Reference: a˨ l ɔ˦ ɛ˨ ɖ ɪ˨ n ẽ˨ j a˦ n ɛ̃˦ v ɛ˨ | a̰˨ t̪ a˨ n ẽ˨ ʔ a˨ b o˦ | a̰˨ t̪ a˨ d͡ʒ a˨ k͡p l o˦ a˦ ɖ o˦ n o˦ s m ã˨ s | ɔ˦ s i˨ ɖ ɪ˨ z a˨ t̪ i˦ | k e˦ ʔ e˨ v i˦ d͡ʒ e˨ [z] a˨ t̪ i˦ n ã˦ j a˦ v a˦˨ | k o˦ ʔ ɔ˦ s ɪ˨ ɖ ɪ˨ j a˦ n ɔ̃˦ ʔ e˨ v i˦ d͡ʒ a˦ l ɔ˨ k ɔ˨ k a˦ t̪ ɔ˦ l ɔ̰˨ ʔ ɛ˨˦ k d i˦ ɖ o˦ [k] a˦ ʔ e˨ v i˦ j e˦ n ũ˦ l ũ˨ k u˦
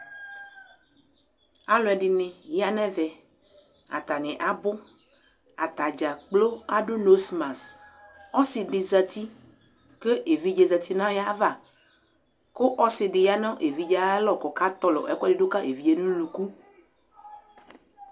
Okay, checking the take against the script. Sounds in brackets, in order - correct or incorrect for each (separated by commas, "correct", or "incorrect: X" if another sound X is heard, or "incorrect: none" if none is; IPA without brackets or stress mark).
correct, correct